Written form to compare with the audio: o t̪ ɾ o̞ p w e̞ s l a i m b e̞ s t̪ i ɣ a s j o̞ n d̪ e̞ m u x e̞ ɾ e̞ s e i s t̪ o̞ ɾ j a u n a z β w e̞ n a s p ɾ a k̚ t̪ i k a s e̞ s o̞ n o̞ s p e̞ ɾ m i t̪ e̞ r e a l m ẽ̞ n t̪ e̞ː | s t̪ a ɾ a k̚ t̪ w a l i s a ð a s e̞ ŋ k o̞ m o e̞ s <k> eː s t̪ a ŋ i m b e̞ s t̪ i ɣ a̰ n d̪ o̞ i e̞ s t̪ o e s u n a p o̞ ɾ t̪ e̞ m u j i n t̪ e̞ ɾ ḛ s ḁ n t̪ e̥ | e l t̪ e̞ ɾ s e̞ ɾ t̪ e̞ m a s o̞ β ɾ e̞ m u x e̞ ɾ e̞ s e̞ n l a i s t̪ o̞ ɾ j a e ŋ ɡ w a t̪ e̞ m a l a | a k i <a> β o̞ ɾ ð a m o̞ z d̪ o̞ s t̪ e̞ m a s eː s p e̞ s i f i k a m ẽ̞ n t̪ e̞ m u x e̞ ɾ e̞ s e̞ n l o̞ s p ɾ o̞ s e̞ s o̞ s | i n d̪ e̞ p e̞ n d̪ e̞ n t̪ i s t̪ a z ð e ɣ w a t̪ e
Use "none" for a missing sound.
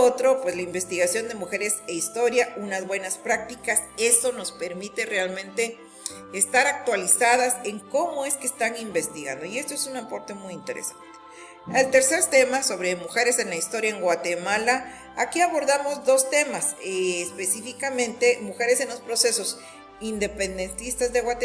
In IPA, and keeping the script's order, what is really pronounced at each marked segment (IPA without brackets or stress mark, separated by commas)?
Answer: k, a